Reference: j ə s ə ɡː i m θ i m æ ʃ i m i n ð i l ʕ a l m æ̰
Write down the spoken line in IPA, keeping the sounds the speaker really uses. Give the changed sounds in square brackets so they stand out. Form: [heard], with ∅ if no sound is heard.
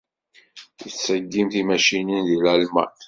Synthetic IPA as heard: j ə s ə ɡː i m θ i m æ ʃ i [n] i n ð i l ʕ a l m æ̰